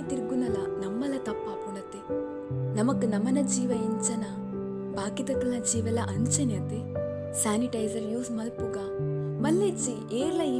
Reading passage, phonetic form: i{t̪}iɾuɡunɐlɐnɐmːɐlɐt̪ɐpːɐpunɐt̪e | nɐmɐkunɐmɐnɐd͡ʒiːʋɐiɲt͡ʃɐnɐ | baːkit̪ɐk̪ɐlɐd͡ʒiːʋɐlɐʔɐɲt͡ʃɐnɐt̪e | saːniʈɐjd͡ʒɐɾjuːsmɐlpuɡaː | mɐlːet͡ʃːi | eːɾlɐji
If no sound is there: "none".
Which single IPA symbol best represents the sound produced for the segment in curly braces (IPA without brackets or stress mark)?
t̪